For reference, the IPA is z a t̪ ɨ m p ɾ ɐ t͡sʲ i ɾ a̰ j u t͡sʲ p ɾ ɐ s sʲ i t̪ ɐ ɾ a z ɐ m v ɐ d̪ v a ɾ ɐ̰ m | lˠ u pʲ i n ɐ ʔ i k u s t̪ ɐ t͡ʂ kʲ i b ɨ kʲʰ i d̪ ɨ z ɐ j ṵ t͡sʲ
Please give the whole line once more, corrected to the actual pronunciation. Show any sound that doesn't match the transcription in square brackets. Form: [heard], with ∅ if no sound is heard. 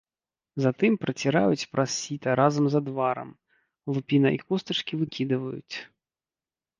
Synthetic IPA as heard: z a t̪ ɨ m p ɾ ɐ t͡sʲ i ɾ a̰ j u t͡sʲ p ɾ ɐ s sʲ i t̪ ɐ ɾ a z ɐ m [z] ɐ d̪ v a ɾ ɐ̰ m | lˠ u pʲ i n ɐ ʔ i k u s t̪ ɐ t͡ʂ kʲ i [v] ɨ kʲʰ i d̪ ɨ [v] ɐ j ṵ t͡sʲ